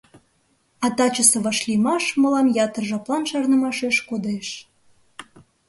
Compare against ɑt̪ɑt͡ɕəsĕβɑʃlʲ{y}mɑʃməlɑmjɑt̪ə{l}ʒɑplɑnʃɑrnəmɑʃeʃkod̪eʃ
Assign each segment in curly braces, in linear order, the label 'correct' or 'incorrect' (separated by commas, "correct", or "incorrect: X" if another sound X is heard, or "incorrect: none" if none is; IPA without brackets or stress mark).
incorrect: i, incorrect: r